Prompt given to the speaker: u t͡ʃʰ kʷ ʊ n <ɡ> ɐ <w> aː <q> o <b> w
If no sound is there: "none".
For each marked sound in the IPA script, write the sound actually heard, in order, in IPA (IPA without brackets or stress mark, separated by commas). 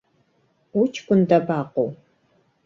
d, b, q, none